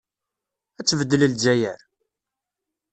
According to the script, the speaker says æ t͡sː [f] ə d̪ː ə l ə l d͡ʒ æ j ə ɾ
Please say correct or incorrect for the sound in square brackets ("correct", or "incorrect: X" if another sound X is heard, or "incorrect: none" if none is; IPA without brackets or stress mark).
incorrect: v